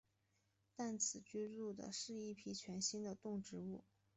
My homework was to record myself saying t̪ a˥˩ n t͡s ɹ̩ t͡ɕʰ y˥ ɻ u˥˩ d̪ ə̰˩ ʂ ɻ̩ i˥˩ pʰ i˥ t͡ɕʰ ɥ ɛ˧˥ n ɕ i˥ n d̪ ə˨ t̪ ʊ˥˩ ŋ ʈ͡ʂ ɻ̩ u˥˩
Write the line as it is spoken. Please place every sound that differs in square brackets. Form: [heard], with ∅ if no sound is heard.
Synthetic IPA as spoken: t̪ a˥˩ n [t͡sʰ] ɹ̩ [t͡ɕ] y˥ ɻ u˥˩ d̪ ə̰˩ ʂ ɻ̩ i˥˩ pʰ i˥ t͡ɕʰ ɥ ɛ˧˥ n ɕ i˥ n d̪ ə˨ t̪ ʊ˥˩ ŋ ʈ͡ʂ ɻ̩ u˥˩